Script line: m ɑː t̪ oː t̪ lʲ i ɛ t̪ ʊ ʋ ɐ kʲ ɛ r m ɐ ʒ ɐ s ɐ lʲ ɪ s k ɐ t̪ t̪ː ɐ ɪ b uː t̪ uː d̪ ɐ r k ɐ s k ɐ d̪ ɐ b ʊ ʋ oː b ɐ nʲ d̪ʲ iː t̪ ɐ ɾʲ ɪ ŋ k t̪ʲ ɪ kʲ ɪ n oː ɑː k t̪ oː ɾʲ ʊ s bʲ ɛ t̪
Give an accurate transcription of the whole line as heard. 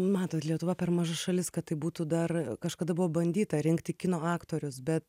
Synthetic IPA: m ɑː t̪ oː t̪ lʲ i ɛ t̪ ʊ ʋ ɐ pʲ ɛ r m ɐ ʒ ɐ ʃ ɐ lʲ ɪ s k ɐ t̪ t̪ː ɐ ɪ b uː t̪ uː d̪ ɐ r k ɐ ʃ k ɐ d̪ ɐ b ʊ ʋ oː b ɐ nʲ d̪ʲ iː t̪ ɐ ɾʲ ɪ ŋ k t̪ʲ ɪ kʲ ɪ n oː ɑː k t̪ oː ɾʲ ʊ s bʲ ɛ t̪

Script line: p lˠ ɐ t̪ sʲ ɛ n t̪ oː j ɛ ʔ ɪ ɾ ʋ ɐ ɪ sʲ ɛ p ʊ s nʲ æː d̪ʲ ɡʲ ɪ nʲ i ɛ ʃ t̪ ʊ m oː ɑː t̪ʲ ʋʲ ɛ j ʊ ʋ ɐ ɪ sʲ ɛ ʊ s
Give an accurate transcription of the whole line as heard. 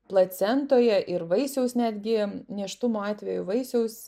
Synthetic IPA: p lˠ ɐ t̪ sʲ ɛ n t̪ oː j ɛ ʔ ɪ ɾ ʋ ɐ ɪ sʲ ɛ ʊ s nʲ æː d̪ʲ ɡʲ ɪ nʲ i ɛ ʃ t̪ ʊ m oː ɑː t̪ʲ ʋʲ ɛ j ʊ ʋ ɐ ɪ sʲ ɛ ʊ s

